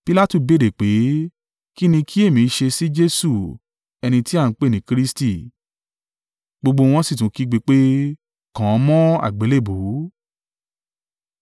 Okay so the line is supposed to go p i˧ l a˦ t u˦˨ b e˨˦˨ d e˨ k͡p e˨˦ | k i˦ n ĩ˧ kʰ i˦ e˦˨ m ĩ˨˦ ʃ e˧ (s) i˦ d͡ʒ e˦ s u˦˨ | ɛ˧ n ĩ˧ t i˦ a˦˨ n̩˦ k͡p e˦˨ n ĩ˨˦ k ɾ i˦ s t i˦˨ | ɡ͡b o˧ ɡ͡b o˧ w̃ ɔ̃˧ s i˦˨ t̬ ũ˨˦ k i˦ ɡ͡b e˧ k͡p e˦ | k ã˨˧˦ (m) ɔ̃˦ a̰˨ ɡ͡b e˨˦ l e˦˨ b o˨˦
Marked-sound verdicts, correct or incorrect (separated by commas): correct, correct